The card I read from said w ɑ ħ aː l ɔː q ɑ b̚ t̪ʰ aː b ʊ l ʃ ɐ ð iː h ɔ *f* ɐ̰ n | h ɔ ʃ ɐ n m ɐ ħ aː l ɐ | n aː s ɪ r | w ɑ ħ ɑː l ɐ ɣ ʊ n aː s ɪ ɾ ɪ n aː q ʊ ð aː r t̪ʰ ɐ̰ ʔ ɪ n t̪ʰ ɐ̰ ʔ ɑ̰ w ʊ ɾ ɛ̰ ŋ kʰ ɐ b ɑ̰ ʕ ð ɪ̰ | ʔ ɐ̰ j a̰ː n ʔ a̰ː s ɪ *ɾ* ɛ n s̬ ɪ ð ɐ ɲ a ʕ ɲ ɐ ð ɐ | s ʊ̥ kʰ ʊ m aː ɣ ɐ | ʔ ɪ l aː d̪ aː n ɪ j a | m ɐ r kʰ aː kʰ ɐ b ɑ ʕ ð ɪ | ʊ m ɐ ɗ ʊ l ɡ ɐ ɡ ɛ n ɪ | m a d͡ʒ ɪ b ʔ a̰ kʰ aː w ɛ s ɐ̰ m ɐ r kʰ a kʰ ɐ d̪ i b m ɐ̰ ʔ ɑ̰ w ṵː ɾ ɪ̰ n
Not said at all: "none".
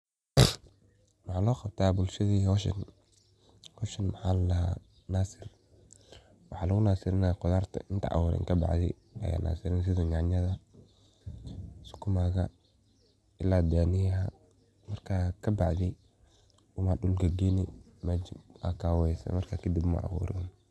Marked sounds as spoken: ʃ, ɾ

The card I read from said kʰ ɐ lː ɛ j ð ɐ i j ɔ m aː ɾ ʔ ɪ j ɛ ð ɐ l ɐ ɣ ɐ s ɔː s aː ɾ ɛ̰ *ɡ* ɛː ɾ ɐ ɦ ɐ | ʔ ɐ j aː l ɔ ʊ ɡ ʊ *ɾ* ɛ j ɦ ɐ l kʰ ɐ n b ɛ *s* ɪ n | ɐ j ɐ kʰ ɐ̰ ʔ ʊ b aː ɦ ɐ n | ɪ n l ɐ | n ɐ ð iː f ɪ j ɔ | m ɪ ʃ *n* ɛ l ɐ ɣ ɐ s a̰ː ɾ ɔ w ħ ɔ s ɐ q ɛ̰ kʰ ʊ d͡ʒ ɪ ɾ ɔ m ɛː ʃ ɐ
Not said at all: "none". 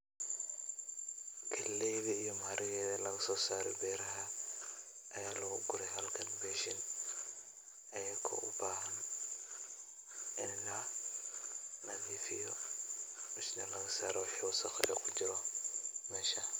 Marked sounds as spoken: b, ɾ, ʃ, n

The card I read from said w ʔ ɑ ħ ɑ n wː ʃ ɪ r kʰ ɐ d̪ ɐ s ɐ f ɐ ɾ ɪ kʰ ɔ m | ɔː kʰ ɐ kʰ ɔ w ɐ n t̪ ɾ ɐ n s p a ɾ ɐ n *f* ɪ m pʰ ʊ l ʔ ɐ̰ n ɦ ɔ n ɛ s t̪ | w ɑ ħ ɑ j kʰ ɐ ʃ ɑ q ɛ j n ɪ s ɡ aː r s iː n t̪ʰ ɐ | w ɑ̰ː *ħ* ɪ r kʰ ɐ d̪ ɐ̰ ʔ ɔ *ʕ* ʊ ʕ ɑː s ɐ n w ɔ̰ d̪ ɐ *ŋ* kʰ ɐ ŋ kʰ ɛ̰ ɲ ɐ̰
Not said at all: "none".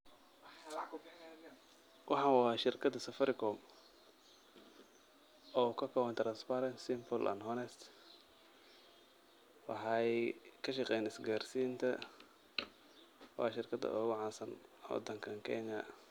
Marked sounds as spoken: s, ʃ, ɣ, ŋ

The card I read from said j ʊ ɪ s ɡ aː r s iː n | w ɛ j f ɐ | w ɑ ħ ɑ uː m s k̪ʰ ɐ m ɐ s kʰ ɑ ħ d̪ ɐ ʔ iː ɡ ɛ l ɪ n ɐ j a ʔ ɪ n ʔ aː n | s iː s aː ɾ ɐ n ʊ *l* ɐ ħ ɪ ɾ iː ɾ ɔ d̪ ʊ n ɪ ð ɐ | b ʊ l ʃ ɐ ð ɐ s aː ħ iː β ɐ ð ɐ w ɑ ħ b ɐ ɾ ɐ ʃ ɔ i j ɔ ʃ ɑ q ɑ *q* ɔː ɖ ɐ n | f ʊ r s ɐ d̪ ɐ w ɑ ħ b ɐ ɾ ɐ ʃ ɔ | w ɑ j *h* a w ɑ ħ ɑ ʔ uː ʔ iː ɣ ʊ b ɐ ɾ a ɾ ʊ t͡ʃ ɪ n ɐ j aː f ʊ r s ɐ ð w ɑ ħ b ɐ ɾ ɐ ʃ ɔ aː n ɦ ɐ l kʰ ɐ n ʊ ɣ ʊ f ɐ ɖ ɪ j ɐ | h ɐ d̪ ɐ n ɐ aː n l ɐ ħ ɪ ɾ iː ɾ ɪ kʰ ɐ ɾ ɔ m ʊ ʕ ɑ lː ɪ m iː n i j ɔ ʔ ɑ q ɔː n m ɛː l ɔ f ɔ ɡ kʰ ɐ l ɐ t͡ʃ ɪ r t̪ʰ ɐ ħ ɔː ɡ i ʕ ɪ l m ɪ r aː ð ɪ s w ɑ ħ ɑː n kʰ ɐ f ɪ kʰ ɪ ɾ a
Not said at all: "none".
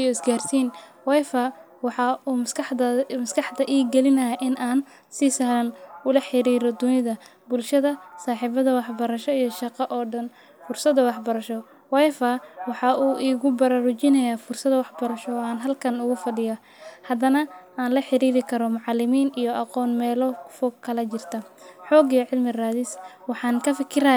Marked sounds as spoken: l, ʔ, f

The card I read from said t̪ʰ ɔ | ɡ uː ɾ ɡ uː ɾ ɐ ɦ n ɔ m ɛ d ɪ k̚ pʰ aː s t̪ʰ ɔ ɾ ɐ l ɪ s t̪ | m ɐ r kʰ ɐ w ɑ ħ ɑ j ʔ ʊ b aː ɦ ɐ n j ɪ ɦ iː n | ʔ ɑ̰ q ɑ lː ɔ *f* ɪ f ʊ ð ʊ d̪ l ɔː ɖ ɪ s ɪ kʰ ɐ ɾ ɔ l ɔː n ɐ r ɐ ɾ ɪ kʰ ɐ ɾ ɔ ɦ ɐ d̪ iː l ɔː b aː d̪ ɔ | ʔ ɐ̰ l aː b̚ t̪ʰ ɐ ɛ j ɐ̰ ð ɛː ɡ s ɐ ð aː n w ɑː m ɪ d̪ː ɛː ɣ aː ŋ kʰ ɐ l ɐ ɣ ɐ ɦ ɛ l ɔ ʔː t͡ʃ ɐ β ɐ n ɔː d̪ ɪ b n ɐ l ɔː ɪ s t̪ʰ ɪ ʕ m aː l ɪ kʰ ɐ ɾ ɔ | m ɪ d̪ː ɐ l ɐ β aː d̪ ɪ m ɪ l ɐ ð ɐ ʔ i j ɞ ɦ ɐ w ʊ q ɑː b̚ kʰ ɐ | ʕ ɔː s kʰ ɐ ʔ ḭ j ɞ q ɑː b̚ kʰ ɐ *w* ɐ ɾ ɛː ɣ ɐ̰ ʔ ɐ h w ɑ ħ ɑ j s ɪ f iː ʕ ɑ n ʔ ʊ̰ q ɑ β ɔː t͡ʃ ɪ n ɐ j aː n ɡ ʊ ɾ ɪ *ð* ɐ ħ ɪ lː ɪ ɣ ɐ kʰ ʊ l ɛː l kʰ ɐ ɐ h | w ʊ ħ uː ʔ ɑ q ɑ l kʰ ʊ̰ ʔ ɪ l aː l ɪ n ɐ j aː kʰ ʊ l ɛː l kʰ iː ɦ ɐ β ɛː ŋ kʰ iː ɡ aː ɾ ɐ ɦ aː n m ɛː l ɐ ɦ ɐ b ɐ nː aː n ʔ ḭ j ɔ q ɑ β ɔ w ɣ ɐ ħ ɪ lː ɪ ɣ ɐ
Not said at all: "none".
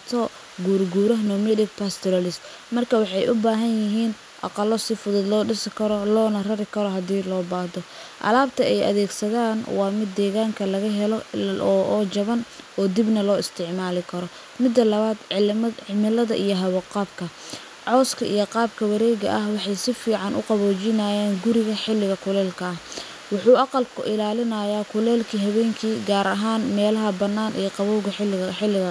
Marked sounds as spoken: s, w, ɣ

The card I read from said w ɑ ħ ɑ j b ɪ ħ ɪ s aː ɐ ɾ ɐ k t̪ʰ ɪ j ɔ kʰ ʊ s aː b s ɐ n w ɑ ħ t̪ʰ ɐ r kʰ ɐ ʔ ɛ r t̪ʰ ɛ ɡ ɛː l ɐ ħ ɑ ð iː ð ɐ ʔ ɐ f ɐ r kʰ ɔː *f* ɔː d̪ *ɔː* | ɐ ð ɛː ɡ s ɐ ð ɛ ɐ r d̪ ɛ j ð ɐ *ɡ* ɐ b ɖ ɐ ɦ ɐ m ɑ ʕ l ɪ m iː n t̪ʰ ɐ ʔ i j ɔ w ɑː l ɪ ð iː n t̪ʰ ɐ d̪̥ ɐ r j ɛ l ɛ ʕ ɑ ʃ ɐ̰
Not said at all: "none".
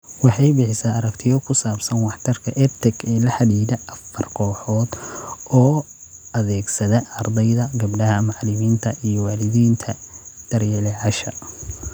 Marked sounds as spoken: ħ, ɔː, ɡ

